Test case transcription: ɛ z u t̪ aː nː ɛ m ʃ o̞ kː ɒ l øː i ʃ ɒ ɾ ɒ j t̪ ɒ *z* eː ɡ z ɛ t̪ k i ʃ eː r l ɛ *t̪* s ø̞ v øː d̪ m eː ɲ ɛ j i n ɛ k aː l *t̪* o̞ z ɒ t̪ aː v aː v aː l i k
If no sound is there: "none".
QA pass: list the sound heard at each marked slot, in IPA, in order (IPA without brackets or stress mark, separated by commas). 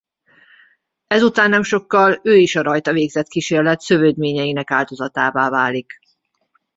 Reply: v, t̪, d̪